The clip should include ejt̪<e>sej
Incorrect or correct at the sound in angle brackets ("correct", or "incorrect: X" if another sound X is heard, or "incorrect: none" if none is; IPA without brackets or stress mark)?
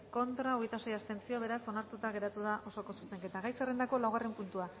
incorrect: a